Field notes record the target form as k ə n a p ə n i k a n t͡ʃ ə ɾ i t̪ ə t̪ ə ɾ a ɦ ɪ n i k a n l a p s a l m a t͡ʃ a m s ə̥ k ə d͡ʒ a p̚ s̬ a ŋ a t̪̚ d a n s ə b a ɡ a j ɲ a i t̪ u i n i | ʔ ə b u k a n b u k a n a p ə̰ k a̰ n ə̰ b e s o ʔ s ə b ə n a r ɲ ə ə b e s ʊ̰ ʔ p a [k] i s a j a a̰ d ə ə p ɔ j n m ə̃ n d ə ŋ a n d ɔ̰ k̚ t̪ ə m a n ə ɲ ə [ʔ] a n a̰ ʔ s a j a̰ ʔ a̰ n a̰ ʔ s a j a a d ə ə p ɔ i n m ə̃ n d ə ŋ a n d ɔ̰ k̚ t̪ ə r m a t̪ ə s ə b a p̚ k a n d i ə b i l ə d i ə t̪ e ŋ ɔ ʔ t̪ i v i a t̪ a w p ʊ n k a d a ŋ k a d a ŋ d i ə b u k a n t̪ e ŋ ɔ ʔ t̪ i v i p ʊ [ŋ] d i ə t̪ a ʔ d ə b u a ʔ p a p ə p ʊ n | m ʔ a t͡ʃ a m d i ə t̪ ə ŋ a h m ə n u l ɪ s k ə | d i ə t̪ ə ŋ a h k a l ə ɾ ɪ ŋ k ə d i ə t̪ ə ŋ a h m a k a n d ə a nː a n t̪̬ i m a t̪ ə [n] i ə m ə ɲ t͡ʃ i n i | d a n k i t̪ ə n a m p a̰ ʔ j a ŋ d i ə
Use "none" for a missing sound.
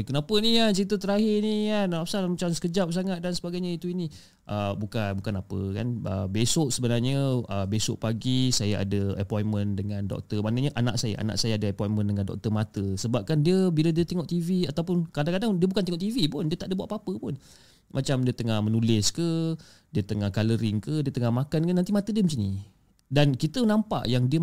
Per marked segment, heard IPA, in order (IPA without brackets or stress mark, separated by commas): ɡ, ʔ, n, d